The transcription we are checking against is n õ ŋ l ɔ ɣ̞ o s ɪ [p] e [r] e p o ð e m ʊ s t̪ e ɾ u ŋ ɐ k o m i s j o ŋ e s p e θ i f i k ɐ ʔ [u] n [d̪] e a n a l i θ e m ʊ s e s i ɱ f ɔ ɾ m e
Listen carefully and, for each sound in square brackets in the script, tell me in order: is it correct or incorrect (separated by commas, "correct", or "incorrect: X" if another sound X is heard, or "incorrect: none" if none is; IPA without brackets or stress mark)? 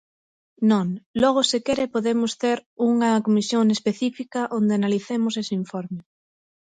incorrect: k, incorrect: ɾ, incorrect: o, correct